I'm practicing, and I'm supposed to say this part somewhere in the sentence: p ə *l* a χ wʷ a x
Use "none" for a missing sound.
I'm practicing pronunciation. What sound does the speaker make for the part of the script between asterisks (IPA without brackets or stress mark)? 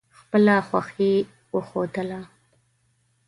l